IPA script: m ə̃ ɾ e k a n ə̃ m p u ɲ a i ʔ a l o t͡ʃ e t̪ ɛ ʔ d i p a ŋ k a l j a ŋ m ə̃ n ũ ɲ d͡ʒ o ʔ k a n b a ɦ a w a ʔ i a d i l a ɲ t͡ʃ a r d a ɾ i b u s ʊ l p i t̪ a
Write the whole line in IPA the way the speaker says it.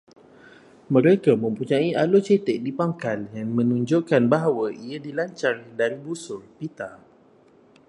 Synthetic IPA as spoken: m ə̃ ɾ e k a m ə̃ m p u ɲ a i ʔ a l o t͡ʃ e t̪ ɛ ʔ d i p a ŋ k a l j a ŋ m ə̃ n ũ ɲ d͡ʒ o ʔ k a n b a ɦ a w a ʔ i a d i l a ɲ t͡ʃ a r d a ɾ i b u s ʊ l p i t̪ a